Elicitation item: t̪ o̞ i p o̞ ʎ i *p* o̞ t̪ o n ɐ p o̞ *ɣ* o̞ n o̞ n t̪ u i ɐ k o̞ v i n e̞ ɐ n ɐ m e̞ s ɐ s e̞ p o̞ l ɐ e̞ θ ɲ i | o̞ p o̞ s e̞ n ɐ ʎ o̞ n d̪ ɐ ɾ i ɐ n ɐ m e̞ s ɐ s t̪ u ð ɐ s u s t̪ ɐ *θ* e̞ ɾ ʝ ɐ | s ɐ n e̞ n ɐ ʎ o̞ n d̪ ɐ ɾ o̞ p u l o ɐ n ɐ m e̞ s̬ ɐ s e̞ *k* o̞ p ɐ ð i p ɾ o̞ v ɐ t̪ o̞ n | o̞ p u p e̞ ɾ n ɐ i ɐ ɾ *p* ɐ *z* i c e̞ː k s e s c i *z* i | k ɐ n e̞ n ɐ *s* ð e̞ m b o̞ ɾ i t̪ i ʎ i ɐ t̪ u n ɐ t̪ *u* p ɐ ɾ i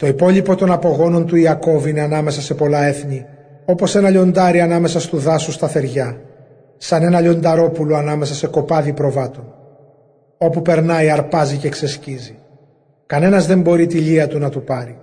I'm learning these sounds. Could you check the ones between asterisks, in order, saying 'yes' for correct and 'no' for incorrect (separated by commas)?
yes, yes, yes, yes, yes, yes, yes, no, yes